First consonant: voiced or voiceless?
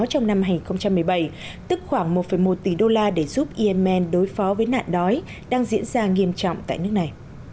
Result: voiceless